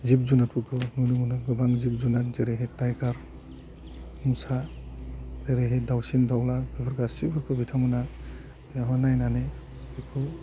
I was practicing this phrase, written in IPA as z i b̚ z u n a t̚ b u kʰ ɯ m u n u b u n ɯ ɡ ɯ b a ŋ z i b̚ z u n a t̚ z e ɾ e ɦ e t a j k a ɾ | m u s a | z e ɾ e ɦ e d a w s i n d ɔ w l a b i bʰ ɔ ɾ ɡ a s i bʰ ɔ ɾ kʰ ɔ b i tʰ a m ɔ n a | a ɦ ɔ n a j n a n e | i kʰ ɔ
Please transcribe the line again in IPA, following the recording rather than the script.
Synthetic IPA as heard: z i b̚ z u n a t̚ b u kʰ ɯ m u n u m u n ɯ ɡ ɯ b a ŋ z i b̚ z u n a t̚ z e ɾ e ɦ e t a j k a ɾ | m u s a | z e ɾ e ɦ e d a w s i n d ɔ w l a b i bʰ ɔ ɾ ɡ a s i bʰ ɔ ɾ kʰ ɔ b i tʰ a m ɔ n a | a ɦ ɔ n a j n a n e | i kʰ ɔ